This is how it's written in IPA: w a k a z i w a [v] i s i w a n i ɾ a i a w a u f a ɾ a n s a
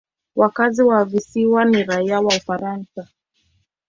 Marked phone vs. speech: correct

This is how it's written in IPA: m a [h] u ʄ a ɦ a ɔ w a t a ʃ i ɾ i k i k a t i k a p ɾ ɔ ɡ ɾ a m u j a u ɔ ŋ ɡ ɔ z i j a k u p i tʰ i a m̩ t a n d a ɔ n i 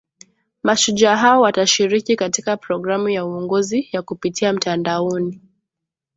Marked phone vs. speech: incorrect: ʃ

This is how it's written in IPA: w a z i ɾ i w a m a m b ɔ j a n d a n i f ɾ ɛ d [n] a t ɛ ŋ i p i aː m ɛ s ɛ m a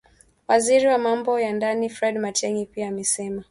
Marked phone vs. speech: incorrect: m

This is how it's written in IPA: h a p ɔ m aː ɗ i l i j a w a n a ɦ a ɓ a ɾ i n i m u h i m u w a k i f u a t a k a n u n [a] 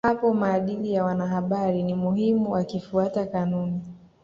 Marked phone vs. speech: incorrect: i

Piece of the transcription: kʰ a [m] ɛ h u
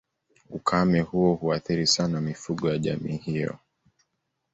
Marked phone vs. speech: correct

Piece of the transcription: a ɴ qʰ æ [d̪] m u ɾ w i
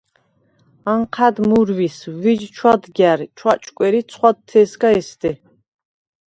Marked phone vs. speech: correct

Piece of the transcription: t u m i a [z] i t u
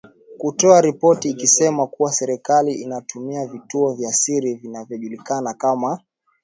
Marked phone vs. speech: incorrect: v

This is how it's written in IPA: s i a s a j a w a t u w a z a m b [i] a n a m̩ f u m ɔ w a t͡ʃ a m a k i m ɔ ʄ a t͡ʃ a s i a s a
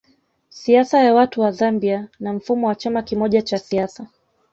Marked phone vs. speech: correct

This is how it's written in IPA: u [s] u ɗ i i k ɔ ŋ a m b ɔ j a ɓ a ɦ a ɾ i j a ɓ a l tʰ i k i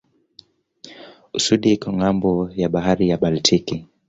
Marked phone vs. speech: correct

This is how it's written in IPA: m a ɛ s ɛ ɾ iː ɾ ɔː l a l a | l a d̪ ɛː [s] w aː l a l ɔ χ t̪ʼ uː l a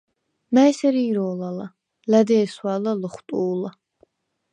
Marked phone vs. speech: correct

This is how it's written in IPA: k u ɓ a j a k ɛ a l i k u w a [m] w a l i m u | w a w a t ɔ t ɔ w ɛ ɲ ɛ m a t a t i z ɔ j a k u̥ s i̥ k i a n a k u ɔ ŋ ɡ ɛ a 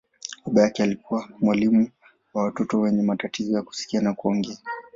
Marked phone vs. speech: correct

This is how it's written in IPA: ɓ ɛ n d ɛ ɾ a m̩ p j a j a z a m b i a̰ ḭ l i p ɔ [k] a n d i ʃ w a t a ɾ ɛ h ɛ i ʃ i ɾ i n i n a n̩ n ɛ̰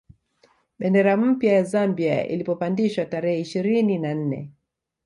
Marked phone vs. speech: incorrect: p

